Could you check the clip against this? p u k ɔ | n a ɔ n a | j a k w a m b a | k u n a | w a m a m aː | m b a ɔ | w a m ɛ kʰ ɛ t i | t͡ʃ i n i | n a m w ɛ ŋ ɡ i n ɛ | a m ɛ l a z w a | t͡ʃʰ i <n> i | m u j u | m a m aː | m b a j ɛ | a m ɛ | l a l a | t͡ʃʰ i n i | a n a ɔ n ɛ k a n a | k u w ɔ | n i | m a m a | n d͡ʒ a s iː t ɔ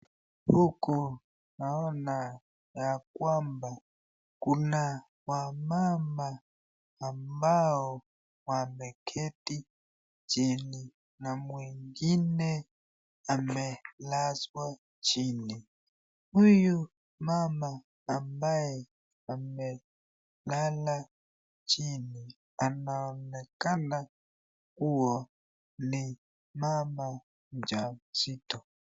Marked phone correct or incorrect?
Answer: correct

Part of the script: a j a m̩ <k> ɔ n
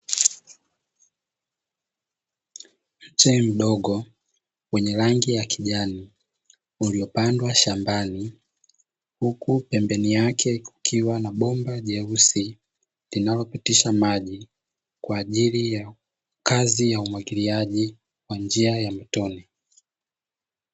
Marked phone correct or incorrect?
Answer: incorrect: t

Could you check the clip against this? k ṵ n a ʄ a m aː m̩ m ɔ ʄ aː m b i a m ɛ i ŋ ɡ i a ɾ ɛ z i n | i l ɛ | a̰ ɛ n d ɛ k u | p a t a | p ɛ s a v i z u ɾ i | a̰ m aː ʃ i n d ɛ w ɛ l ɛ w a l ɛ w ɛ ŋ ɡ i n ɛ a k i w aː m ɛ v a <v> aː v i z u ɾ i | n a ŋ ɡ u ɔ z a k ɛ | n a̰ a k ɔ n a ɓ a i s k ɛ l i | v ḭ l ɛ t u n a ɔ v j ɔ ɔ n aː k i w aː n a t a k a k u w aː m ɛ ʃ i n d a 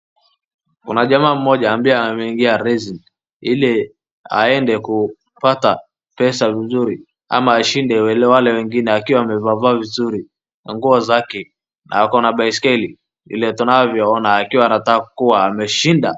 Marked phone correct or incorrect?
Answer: correct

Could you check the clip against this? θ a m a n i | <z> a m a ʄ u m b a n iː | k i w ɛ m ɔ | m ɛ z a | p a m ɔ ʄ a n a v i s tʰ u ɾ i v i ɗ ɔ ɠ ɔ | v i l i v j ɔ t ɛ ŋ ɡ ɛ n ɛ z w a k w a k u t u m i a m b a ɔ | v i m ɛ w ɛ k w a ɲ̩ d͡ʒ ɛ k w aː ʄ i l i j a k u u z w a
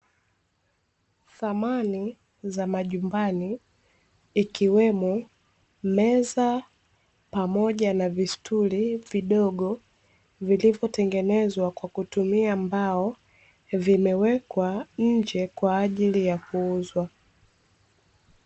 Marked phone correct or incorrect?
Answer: correct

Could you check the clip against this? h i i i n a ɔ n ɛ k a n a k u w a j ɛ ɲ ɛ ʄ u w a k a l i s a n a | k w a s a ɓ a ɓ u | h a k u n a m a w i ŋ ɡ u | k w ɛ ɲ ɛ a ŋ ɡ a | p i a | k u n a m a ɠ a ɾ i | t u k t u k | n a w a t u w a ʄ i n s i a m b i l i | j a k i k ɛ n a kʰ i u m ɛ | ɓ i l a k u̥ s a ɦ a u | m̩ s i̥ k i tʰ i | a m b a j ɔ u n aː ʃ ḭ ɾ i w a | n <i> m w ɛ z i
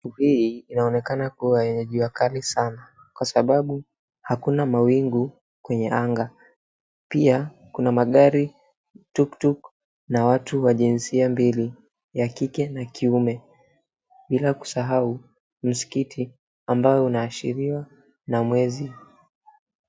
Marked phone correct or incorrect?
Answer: incorrect: a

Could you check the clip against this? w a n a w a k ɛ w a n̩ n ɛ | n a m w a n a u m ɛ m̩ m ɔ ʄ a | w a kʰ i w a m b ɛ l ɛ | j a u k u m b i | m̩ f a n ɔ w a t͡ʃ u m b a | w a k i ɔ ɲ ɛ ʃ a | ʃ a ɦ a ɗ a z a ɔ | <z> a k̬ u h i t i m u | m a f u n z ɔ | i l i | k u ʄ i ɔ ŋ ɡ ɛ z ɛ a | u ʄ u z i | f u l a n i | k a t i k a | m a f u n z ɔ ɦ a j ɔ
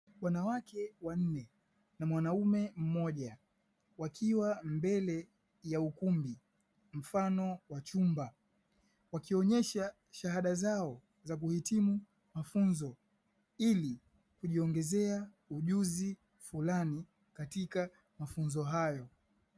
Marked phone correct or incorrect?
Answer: correct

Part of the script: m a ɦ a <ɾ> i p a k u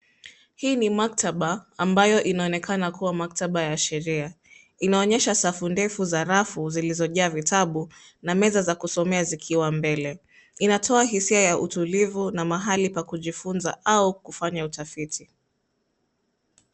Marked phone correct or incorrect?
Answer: incorrect: l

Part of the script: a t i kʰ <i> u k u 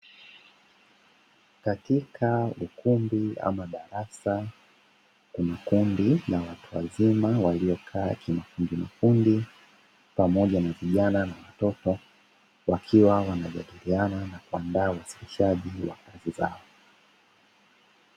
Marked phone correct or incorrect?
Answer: incorrect: a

